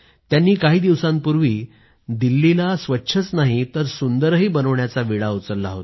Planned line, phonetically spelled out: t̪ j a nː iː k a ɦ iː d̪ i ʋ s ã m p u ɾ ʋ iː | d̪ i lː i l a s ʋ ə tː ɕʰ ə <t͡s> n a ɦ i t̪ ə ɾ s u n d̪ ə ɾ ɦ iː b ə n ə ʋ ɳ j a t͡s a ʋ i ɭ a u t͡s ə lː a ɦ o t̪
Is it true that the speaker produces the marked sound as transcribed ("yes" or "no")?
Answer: yes